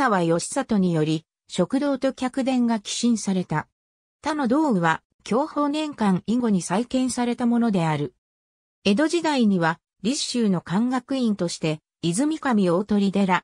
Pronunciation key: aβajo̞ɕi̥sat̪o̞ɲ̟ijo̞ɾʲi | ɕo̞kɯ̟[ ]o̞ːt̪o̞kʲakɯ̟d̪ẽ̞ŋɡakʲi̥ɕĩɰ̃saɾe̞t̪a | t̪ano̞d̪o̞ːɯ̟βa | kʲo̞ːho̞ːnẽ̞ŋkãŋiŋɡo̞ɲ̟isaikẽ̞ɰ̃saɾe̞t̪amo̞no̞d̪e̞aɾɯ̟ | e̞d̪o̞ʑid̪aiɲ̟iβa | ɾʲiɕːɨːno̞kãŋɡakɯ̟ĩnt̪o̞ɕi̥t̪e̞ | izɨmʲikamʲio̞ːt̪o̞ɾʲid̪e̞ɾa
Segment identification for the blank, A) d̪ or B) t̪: A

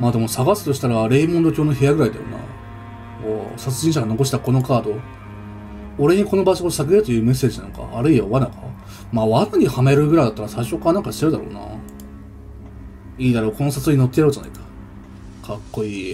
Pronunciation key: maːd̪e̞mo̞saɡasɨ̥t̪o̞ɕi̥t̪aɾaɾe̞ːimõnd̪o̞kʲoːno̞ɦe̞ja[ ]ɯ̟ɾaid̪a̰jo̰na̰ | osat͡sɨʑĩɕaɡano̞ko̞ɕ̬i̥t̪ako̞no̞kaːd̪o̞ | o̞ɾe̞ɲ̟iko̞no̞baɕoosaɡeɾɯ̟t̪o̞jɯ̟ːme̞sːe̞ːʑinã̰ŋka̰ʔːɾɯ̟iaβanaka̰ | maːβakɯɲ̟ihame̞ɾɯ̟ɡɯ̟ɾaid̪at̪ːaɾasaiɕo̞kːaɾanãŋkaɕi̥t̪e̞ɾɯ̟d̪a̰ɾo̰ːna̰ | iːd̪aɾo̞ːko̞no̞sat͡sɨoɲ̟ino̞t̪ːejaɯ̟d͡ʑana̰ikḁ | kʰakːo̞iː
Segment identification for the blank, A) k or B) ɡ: B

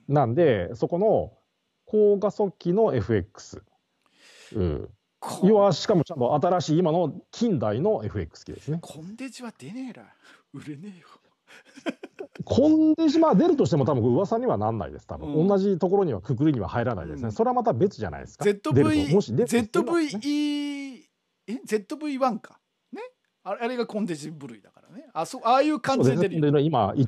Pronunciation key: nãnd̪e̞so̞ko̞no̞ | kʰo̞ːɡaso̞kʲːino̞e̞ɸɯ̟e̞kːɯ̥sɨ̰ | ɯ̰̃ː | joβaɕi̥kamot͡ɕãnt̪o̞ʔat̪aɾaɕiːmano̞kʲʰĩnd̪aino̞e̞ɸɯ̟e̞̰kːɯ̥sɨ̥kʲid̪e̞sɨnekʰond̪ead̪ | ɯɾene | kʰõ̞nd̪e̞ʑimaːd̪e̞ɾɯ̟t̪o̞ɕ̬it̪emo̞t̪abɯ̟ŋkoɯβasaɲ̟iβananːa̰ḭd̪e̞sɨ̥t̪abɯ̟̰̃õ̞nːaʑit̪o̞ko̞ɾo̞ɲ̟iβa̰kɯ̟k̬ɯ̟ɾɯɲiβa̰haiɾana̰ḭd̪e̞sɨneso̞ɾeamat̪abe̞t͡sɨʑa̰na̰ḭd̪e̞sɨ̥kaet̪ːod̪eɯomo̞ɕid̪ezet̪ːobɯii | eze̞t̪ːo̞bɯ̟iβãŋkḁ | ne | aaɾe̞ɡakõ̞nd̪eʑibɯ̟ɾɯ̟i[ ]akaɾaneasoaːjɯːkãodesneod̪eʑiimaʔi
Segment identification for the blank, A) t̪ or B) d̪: B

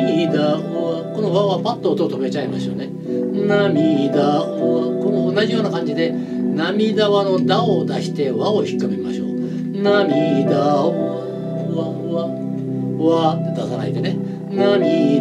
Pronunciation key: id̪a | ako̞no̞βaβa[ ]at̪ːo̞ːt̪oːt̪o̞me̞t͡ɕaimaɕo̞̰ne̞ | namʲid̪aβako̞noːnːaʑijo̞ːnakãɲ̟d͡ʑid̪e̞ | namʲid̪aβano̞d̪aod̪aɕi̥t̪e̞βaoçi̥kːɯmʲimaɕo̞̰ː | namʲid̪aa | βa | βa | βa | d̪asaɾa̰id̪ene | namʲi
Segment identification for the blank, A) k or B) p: B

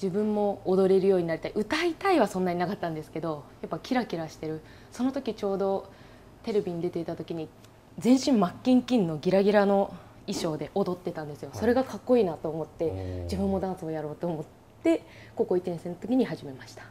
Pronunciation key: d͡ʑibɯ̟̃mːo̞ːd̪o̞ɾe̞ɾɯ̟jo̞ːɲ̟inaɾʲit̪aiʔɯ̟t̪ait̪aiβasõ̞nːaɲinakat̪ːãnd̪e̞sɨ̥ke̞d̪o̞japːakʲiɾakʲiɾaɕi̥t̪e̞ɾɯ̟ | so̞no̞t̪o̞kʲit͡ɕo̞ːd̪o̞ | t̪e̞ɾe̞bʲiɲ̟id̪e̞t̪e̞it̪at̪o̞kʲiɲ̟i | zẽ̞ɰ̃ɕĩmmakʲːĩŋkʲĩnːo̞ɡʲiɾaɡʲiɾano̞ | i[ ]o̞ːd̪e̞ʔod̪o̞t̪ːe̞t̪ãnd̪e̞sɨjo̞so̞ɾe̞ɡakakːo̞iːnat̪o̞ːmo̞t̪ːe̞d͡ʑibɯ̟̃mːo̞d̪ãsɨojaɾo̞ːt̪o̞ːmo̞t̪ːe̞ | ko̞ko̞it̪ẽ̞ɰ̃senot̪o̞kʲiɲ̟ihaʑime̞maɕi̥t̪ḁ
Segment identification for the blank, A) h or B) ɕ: B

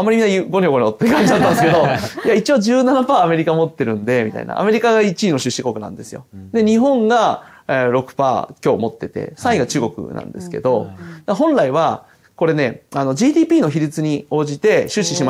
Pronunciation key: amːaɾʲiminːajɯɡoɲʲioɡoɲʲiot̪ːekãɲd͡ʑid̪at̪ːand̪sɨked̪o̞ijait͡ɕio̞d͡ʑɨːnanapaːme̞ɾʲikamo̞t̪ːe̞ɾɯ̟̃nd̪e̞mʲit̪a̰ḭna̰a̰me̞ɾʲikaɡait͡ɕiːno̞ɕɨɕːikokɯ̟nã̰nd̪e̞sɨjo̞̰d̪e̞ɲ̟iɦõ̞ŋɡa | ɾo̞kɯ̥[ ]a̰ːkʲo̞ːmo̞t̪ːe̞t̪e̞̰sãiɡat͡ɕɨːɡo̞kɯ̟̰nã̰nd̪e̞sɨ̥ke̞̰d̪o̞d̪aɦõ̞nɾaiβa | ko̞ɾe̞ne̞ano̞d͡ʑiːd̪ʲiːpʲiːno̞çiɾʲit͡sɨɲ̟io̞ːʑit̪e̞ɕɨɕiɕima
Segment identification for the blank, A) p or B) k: A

